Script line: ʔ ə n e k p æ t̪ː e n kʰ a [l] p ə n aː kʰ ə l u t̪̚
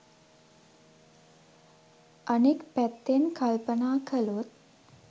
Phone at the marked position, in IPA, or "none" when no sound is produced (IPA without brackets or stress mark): l